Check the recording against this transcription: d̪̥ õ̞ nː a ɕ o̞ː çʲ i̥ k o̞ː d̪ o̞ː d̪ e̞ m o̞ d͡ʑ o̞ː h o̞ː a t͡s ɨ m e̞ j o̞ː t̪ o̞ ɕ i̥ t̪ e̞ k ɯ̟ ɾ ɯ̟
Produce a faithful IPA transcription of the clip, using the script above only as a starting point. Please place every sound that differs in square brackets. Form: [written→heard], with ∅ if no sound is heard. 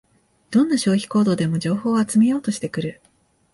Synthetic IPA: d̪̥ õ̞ nː a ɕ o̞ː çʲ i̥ k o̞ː d̪ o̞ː d̪ e̞ m o̞ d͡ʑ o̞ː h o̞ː a t͡s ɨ m e̞ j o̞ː t̪ o̞ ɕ i̥ t̪ e̞ k ɯ̟ ɾ ɯ̟